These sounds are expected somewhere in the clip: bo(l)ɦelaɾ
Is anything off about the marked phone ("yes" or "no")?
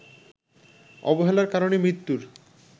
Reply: yes